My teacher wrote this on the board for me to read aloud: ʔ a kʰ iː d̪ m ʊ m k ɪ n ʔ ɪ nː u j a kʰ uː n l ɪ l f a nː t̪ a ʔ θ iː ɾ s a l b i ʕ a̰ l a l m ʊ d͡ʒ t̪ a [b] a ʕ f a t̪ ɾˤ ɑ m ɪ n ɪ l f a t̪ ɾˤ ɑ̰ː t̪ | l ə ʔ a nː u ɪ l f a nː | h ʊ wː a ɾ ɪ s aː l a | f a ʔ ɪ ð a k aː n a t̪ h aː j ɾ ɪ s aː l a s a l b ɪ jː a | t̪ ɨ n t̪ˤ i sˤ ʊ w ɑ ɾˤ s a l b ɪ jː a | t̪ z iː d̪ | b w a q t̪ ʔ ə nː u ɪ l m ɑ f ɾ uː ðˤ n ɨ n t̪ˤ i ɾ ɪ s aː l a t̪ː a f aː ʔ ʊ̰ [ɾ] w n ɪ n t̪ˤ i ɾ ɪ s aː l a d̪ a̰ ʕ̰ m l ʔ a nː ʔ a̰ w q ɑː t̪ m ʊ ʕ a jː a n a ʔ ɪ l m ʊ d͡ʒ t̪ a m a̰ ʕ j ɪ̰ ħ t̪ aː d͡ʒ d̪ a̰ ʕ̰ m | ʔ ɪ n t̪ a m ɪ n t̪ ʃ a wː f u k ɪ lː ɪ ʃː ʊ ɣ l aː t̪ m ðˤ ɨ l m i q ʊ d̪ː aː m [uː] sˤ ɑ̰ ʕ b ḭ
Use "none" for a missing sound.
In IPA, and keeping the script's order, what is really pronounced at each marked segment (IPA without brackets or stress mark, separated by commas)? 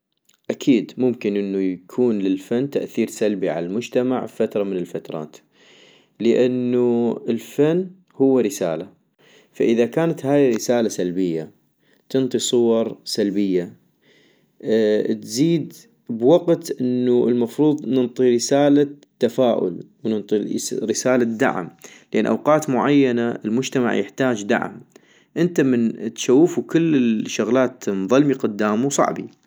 m, l, u